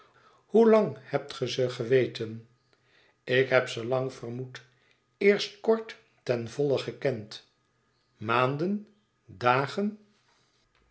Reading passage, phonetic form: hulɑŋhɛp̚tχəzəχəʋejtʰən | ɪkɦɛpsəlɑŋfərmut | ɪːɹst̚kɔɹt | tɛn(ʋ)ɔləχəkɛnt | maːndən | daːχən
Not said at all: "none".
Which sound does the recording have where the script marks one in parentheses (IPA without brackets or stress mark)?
v